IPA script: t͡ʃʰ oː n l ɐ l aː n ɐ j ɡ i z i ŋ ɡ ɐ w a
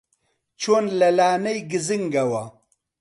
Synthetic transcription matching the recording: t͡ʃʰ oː n l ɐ l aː n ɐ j ɡ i z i ŋ ɡ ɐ w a